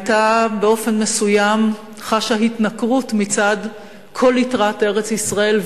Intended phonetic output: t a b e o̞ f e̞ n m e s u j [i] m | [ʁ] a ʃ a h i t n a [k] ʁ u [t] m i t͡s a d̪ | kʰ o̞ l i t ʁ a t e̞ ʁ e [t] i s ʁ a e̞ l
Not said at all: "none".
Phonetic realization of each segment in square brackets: a, χ, k, t, t͡s

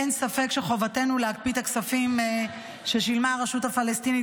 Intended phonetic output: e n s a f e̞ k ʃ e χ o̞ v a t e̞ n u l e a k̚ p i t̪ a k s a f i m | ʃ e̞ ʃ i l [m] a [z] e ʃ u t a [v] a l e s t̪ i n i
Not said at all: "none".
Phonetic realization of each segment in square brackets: m, ʁ, f

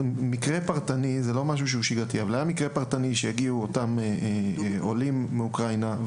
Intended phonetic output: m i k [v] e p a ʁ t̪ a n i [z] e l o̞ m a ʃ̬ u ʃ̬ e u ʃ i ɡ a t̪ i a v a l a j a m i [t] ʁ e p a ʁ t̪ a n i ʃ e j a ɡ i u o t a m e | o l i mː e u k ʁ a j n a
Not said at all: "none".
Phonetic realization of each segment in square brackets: ʁ, z, k

